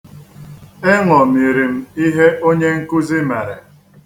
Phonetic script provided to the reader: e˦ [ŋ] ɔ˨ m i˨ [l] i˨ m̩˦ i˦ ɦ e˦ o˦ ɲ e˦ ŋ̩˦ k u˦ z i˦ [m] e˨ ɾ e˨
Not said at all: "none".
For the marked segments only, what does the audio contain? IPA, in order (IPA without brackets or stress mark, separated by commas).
ŋ, ɾ, m